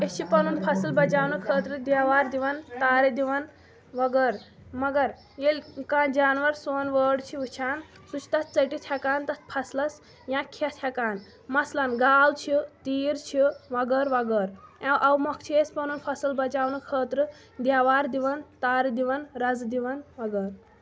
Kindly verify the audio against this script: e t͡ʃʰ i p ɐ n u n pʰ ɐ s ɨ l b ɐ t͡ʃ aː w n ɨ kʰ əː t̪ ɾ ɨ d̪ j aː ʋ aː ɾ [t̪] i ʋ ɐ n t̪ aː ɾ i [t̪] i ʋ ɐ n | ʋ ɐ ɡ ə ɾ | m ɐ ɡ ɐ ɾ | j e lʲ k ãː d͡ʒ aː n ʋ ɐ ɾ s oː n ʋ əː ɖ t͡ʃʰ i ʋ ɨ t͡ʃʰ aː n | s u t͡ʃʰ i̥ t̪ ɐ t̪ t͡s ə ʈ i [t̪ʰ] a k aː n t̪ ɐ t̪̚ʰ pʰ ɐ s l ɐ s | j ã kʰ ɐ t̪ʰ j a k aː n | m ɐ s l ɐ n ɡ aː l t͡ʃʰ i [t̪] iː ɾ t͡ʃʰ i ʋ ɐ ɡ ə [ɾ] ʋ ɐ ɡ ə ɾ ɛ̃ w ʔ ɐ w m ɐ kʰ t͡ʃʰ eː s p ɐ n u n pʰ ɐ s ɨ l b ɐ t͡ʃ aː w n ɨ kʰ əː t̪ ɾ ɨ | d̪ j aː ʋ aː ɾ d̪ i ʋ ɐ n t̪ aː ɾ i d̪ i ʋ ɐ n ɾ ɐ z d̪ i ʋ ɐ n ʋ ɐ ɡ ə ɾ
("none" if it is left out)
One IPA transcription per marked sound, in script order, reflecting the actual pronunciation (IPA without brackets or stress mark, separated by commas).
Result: d̪, d̪, t̪ʰ, t̪, ɾ